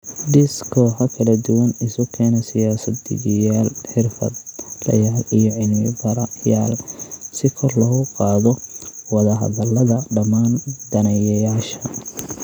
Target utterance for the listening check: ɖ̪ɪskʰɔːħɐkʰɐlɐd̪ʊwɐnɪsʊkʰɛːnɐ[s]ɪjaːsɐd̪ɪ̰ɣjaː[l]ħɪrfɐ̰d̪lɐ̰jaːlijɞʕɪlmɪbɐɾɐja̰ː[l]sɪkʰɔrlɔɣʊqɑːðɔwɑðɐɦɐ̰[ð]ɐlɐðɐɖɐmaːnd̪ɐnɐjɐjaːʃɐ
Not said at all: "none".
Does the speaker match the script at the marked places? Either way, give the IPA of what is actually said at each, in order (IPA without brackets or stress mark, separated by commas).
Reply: s, l, l, ð